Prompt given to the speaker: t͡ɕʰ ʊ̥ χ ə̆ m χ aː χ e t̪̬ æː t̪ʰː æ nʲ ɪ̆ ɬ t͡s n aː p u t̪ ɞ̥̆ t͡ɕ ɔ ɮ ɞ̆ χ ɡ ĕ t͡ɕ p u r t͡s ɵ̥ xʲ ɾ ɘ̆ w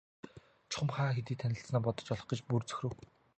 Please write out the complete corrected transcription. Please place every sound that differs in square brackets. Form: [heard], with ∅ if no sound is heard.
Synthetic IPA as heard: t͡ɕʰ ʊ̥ χ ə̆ m χ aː [x] e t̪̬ [iː] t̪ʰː æ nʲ ɪ̆ ɬ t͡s n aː p [ɔ] t̪ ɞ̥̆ t͡ɕ ɔ ɮ ɞ̆ χ ɡ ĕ t͡ɕ p u r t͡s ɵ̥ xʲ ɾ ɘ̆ w